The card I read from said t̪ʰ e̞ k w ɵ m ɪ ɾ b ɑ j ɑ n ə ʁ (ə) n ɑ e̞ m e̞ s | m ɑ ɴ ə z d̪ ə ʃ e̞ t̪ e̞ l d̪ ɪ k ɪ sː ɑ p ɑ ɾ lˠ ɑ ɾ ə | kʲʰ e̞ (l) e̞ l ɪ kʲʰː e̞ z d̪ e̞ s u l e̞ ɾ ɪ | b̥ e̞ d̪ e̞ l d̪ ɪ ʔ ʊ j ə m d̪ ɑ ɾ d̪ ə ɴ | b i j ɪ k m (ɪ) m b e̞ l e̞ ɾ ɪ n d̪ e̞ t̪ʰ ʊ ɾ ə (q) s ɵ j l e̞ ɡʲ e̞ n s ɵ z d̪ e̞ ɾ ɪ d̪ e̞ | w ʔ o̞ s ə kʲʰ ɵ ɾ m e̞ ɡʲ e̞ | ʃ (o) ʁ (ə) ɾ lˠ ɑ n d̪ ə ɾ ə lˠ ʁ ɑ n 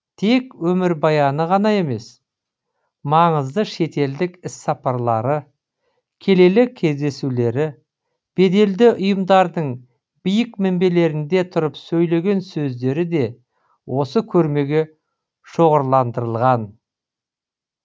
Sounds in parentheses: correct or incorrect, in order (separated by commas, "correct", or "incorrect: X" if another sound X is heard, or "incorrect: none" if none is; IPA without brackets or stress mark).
incorrect: ɑ, correct, correct, incorrect: p, correct, correct